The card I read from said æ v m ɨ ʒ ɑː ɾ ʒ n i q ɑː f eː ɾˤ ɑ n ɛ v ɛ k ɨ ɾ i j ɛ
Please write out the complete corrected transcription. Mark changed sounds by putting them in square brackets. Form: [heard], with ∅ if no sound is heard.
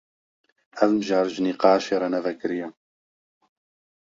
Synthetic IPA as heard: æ v m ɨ ʒ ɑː ɾ ʒ n i q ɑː [ʃ] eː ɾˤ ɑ n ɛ v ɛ k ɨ ɾ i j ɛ